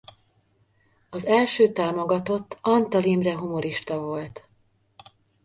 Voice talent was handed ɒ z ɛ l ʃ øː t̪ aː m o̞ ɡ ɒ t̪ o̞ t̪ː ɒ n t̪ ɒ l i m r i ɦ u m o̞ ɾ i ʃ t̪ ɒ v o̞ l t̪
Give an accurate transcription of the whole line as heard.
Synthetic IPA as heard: ɒ z ɛ l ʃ øː t̪ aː m o̞ ɡ ɒ t̪ o̞ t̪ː ɒ n t̪ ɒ l i m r ɛ ɦ u m o̞ ɾ i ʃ t̪ ɒ v o̞ l t̪